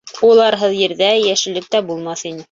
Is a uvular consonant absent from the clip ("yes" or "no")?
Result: yes